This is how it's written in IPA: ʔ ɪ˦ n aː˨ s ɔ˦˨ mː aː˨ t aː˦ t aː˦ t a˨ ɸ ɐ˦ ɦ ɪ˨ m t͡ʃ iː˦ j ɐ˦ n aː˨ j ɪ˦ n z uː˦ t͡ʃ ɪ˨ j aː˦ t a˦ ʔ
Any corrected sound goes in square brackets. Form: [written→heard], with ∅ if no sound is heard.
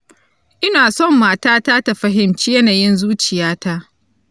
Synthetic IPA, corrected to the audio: ʔ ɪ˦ n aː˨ s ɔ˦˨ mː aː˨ t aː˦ t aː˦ t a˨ ɸ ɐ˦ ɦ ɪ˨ m t͡ʃ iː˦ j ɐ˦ n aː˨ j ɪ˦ n z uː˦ t͡ʃ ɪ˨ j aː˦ t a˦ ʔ